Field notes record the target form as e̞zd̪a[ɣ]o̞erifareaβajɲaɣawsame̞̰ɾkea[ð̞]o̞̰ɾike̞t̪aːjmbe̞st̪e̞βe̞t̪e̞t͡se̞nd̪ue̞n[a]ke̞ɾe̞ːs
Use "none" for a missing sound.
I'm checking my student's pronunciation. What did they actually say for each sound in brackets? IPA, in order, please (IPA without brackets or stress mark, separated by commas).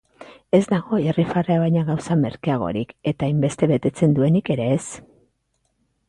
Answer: ɣ, ɣ̞, i